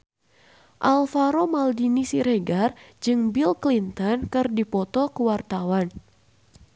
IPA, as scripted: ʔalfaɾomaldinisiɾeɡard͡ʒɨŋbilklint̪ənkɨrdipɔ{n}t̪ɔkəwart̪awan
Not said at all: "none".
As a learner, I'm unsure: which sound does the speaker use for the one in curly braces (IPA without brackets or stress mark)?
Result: none